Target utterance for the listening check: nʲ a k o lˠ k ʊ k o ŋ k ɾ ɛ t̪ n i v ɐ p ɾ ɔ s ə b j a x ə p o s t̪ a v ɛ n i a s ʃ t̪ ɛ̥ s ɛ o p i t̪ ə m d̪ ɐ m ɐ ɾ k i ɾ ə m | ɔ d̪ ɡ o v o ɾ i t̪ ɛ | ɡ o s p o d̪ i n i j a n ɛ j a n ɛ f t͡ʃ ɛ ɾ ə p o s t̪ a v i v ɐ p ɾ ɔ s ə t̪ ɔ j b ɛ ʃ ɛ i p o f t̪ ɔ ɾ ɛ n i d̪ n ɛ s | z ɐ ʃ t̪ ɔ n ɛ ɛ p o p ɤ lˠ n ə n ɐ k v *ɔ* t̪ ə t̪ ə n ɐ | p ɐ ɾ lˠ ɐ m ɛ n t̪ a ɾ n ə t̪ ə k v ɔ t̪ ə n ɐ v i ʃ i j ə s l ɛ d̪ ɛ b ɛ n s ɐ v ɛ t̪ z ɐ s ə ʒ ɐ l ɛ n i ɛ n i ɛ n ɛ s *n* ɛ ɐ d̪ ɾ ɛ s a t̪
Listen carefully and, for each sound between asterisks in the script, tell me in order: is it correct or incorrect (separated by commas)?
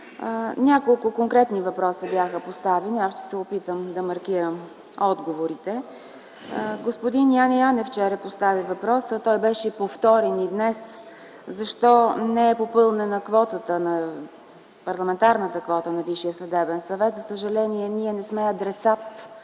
correct, incorrect